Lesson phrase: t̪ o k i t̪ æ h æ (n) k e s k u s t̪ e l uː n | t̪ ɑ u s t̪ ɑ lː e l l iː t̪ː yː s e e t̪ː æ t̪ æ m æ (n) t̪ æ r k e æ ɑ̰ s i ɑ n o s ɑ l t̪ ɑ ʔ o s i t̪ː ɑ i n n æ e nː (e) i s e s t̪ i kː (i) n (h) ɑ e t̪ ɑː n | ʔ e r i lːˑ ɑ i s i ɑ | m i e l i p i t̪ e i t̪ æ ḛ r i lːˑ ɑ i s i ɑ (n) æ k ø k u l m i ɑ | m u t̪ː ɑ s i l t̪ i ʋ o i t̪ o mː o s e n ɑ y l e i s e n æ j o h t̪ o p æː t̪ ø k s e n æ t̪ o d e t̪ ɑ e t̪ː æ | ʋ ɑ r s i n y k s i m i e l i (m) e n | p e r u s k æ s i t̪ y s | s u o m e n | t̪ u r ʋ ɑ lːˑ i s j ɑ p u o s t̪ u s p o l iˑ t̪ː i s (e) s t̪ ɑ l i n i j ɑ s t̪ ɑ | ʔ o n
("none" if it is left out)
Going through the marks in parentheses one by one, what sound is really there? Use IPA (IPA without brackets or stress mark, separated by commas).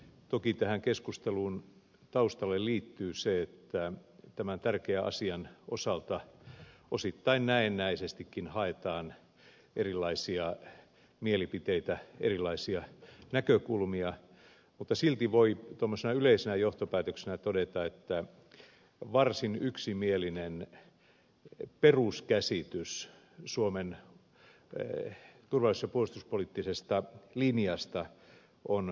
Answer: ŋ, n, æ, i, h, n, n, e